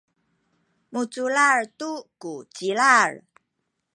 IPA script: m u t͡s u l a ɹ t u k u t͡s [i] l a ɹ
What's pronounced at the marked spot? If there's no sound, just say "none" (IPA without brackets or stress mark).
i